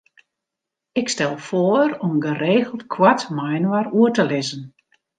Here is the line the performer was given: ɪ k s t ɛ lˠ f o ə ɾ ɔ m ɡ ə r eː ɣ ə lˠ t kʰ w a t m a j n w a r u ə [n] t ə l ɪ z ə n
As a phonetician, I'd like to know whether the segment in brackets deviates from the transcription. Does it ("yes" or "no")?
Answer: yes